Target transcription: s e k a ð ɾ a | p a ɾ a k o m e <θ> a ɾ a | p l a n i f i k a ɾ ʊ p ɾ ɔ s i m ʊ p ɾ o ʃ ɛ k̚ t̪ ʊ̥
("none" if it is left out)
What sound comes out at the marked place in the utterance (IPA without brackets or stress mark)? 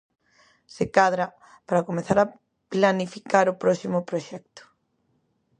θ